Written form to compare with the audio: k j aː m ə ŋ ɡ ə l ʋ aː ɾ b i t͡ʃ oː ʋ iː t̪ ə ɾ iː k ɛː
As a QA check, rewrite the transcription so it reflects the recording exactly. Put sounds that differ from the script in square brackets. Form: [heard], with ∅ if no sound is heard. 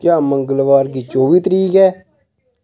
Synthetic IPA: k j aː m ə ŋ ɡ ə l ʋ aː ɾ [ɡ] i t͡ʃ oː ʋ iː t̪ ə ɾ iː k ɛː

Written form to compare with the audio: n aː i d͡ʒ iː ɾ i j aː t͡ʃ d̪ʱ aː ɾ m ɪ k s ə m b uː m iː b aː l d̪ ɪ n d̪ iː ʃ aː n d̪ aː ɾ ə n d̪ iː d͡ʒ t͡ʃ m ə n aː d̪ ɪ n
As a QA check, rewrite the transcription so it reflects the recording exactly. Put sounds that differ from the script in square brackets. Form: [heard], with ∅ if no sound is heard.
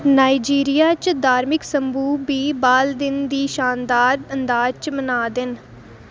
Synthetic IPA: n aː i d͡ʒ iː ɾ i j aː t͡ʃ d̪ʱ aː ɾ m ɪ k s ə m b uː [b] iː b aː l d̪ ɪ n d̪ iː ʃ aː n d̪ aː ɾ ə n d̪ [aː] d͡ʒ t͡ʃ m ə n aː d̪ ɪ n

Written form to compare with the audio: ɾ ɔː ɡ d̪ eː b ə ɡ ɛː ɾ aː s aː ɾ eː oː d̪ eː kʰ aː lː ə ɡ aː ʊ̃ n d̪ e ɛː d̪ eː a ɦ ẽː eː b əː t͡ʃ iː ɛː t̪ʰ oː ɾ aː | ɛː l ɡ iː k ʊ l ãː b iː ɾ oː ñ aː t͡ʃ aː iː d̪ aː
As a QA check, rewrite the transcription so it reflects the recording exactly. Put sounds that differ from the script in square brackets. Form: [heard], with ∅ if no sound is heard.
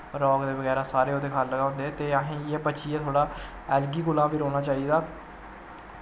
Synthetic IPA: ɾ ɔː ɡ d̪ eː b ə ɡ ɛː ɾ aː s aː ɾ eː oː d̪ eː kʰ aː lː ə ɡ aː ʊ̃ n d̪ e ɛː [t̪] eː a ɦ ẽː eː b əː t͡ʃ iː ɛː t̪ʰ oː [ɽ] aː | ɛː l ɡ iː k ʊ l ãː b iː ɾ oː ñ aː t͡ʃ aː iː d̪ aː

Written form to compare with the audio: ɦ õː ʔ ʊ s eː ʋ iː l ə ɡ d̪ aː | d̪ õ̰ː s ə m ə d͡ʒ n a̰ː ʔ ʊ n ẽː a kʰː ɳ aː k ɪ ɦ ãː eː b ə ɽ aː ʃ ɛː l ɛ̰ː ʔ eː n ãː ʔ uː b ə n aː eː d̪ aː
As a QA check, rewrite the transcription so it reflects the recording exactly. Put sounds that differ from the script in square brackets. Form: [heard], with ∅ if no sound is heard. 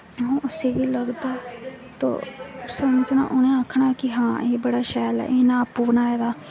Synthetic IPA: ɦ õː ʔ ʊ s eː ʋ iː l ə ɡ d̪ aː | [t̪] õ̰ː s ə m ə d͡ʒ n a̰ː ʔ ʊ n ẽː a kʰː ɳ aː k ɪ ɦ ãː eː b ə ɽ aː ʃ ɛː l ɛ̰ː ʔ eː n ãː [p] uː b ə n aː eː d̪ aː

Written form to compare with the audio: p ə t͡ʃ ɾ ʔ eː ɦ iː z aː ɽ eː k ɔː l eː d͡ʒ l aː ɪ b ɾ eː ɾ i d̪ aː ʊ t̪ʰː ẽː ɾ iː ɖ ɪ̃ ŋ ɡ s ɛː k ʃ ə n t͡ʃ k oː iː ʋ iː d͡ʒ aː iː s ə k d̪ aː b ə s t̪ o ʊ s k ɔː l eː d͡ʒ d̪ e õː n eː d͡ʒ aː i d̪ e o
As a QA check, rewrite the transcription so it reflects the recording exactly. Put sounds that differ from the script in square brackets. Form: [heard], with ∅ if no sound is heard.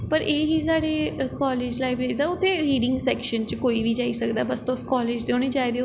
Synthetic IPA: p ə [∅] ɾ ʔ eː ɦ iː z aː ɽ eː k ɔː l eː d͡ʒ l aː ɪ b ɾ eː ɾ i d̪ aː ʊ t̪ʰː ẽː ɾ iː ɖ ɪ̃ ŋ ɡ s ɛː k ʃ ə n t͡ʃ k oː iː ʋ iː d͡ʒ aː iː s ə k d̪ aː b ə s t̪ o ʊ s k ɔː l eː d͡ʒ d̪ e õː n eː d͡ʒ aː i d̪ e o

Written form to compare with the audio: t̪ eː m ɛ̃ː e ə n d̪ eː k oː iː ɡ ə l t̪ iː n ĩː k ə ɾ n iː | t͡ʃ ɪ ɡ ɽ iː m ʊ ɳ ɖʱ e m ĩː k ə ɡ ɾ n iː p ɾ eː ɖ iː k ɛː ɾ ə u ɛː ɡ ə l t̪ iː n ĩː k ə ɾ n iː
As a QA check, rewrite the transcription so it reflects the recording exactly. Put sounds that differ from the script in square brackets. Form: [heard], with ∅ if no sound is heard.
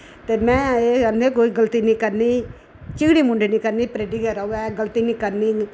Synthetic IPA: t̪ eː m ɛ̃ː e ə n d̪ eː k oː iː ɡ ə l t̪ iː n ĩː k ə ɾ n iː | t͡ʃ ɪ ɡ ɽ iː m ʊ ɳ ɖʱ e [n] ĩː k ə [∅] ɾ n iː p ɾ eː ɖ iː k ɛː ɾ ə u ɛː ɡ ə l t̪ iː n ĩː k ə ɾ n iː

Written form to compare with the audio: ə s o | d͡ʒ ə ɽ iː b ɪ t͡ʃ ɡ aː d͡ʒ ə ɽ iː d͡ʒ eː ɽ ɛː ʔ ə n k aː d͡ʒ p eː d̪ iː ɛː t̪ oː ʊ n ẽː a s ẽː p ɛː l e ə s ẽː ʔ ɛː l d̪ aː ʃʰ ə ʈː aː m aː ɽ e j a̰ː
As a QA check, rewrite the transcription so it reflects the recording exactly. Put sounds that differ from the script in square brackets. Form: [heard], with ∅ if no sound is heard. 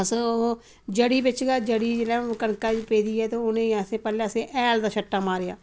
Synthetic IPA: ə s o | d͡ʒ ə ɽ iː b ɪ t͡ʃ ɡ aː d͡ʒ ə ɽ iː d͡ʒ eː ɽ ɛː [k] ə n k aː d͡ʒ p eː d̪ iː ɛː t̪ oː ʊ n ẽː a s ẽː p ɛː l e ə s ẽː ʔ ɛː l d̪ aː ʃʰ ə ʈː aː m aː [ɾ] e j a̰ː

